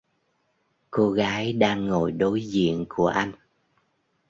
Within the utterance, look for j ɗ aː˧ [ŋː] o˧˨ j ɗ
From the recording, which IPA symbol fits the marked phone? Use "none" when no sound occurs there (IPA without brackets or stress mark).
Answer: ŋː